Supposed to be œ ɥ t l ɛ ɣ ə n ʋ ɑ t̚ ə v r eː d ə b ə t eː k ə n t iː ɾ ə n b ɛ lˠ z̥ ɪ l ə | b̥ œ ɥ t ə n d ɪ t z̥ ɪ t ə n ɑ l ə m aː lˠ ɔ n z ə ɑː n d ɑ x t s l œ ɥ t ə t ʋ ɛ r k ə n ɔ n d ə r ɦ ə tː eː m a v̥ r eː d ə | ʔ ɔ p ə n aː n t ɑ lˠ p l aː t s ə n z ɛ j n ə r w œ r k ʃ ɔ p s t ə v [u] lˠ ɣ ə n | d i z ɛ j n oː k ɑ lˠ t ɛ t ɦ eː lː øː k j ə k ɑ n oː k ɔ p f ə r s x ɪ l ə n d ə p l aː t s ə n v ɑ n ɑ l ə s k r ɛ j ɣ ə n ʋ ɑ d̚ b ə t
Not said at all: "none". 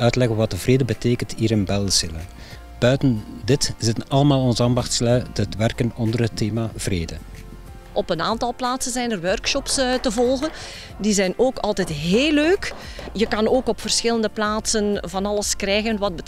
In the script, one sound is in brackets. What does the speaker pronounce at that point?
ɔ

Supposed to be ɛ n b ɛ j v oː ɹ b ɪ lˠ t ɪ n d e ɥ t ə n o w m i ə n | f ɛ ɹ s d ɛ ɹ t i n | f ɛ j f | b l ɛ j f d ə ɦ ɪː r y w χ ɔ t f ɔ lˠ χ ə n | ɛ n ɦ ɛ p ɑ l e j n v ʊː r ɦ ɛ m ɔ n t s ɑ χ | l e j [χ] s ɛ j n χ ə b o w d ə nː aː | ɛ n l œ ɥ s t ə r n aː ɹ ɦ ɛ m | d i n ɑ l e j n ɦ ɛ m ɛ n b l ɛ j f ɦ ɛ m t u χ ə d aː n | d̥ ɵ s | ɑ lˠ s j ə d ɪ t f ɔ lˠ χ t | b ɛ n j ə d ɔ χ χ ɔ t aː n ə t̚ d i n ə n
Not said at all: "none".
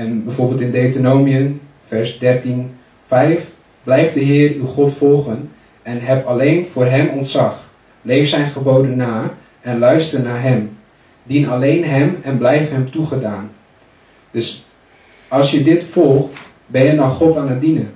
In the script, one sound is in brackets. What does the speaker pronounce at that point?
f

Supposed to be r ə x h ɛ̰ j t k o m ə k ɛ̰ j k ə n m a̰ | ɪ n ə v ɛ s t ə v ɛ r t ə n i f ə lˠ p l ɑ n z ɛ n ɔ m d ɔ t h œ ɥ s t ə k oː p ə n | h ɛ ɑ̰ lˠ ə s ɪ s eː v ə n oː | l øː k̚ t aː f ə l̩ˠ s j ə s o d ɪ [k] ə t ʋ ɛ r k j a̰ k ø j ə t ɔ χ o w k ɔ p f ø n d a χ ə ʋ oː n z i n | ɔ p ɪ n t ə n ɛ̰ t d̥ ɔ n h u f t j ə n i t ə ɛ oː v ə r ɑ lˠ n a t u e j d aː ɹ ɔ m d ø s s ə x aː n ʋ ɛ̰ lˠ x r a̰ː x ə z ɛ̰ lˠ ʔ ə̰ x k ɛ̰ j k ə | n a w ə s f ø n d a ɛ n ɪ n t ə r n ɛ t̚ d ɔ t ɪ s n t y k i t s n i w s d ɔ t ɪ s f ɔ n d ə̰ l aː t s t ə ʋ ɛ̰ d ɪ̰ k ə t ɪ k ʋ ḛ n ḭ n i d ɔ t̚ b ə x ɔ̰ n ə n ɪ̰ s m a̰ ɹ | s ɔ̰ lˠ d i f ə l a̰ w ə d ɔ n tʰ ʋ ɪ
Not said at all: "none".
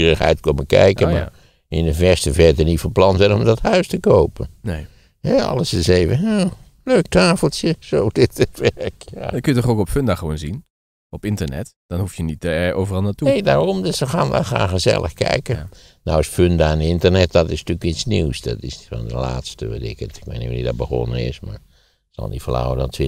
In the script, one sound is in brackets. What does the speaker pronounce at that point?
t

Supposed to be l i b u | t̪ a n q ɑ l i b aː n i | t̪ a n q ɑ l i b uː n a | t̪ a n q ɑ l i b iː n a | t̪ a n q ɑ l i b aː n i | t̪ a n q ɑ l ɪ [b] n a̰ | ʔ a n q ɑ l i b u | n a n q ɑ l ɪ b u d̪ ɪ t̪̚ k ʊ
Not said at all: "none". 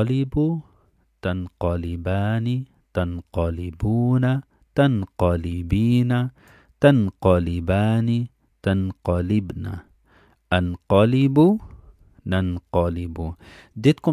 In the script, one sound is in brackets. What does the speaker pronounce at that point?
b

